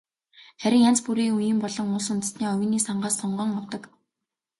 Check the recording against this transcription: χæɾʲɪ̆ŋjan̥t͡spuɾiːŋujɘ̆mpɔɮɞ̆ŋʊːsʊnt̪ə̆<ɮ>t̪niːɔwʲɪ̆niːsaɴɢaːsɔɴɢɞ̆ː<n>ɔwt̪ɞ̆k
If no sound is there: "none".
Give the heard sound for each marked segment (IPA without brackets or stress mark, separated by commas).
none, ŋ